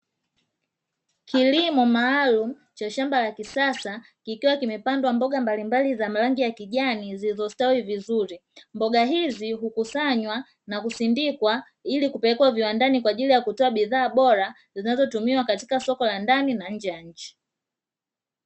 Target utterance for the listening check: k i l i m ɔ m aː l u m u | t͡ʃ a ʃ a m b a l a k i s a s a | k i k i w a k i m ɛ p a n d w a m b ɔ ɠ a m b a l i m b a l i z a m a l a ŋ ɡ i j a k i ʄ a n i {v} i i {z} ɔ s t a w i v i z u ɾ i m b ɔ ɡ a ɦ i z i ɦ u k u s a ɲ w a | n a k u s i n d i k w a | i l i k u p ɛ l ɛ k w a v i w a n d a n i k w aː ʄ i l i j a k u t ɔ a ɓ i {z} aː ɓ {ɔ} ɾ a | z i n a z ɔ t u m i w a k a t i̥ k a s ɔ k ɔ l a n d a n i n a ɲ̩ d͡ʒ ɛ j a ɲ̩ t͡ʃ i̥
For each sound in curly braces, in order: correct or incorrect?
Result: incorrect: z, correct, incorrect: ð, correct

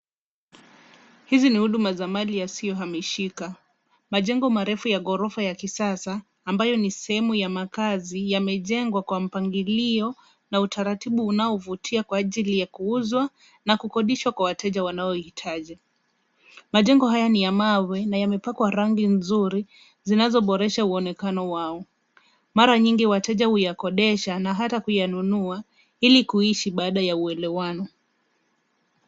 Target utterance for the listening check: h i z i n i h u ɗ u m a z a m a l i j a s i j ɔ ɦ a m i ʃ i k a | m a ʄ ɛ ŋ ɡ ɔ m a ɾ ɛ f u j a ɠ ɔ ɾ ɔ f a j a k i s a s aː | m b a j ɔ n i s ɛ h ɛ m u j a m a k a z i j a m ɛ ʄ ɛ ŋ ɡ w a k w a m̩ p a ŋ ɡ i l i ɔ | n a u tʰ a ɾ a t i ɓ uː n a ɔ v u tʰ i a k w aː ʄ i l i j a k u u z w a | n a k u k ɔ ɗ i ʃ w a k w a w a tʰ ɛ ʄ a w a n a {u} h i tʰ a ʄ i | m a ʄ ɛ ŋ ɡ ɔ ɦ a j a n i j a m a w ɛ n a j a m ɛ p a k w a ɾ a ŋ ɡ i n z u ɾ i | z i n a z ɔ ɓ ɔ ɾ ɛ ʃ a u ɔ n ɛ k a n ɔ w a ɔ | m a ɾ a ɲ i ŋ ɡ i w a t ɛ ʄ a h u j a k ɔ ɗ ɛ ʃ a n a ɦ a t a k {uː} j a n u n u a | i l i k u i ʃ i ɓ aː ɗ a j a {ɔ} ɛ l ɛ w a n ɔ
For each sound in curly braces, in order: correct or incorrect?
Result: incorrect: ɔ, incorrect: u, incorrect: u

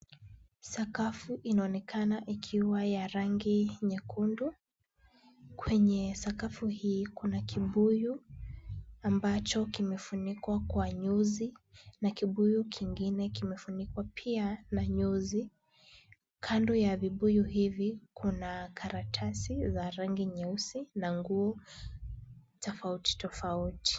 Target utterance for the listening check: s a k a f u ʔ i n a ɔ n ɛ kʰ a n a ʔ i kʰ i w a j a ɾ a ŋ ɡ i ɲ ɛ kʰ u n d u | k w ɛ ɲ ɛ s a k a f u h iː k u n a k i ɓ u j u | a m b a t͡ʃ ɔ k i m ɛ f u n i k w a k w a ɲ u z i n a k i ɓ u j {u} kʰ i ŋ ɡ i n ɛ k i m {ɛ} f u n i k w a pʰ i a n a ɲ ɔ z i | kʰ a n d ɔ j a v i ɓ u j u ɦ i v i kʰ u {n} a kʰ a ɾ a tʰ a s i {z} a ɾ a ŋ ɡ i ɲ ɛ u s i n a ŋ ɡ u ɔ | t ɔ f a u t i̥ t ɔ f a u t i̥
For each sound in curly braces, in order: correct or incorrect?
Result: correct, correct, correct, correct

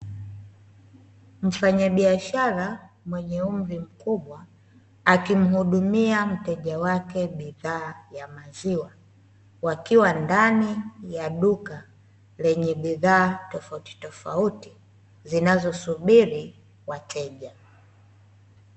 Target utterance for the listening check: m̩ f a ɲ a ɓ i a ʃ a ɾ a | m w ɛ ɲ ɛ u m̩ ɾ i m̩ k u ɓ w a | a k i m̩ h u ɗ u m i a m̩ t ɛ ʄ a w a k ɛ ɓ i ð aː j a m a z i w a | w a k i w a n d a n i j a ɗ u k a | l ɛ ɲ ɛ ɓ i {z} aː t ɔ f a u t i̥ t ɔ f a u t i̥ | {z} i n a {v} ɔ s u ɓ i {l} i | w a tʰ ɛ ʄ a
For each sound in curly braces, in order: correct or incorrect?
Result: incorrect: ð, correct, incorrect: z, incorrect: ɾ

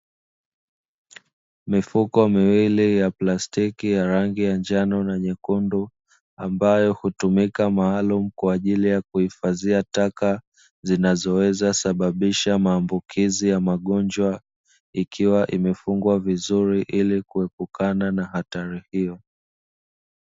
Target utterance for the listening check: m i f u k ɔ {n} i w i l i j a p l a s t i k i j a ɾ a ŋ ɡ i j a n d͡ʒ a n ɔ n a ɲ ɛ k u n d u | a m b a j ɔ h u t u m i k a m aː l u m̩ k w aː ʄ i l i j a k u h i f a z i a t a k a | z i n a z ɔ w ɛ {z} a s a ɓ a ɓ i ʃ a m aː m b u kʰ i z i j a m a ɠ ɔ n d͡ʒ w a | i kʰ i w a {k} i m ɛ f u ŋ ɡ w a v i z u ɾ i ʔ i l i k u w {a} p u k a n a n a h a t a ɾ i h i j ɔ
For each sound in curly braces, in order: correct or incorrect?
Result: incorrect: m, correct, incorrect: ʔ, incorrect: ɛ

